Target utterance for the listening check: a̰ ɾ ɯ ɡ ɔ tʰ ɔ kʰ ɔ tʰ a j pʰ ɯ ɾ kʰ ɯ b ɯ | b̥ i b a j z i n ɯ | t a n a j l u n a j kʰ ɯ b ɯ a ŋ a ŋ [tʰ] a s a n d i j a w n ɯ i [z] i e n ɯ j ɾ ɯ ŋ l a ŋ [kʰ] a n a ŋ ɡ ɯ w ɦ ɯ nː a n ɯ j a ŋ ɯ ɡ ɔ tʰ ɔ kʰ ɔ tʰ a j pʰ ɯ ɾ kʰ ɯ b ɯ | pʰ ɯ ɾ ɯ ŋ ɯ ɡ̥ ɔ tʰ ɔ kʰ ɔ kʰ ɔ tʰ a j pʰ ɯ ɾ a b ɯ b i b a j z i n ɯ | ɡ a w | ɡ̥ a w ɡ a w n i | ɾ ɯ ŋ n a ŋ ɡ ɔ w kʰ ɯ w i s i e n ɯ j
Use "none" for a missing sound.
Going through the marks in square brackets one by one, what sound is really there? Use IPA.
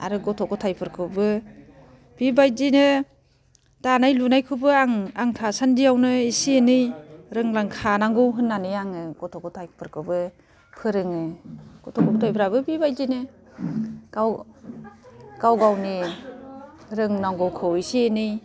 tʰ, s, kʰ

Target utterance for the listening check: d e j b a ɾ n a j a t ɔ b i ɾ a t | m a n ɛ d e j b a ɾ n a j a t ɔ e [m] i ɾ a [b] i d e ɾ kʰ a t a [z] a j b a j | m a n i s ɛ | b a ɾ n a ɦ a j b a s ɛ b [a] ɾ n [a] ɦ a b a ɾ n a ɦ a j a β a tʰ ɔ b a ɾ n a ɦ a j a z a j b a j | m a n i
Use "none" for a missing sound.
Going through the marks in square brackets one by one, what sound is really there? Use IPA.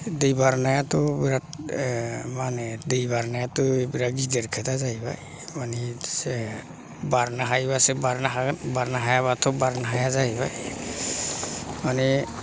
b, ɡ, z, a, a

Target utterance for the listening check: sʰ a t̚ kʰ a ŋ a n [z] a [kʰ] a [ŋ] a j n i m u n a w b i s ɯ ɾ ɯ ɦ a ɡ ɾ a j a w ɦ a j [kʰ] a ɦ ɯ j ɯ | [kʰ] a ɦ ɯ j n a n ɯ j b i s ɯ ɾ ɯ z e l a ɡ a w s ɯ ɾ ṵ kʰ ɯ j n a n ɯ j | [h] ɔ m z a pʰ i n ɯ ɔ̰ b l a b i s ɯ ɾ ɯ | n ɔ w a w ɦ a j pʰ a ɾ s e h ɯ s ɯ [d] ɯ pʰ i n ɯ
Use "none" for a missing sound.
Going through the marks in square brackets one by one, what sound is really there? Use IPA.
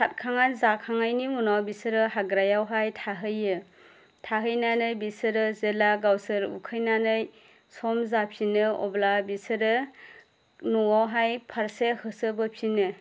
z, kʰ, ŋ, tʰ, tʰ, s, b

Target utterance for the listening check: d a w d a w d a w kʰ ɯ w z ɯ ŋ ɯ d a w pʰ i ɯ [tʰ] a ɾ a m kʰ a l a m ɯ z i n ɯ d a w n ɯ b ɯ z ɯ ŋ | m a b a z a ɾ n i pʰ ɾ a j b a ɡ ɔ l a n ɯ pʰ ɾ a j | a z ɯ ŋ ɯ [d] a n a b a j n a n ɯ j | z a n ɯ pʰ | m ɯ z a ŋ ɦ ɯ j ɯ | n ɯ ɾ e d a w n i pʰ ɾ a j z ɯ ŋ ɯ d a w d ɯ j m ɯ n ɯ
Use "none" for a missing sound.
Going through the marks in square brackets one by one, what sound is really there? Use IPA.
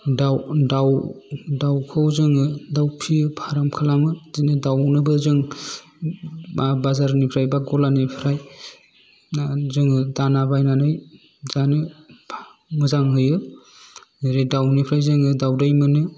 pʰ, d

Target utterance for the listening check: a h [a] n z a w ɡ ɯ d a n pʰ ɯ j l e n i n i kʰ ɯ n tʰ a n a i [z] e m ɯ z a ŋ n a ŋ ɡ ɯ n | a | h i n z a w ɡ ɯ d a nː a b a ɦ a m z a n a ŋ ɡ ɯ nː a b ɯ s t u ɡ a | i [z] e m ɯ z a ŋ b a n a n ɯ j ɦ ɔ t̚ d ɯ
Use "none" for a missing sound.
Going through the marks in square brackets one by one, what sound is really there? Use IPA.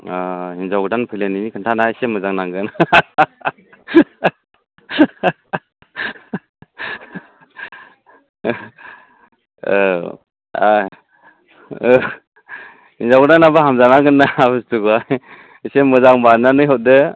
i, s, s

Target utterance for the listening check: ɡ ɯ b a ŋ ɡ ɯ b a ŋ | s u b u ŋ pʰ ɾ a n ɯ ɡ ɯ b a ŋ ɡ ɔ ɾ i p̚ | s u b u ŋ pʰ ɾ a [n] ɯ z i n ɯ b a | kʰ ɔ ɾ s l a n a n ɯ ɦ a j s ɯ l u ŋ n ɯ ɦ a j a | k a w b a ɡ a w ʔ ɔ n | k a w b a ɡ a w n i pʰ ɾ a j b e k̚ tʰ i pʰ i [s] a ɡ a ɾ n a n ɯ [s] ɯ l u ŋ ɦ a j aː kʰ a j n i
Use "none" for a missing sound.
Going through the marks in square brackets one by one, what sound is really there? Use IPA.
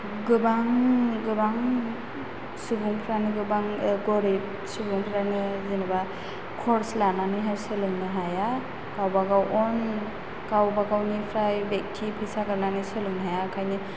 n, s, s

